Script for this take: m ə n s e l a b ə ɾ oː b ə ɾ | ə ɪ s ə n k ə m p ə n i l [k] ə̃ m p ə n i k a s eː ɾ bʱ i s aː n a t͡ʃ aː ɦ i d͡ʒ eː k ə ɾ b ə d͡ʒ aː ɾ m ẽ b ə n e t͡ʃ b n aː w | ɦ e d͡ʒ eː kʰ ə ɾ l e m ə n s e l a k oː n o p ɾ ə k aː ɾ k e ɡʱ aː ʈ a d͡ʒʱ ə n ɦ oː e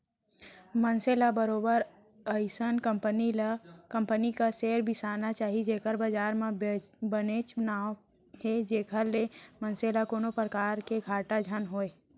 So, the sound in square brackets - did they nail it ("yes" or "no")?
yes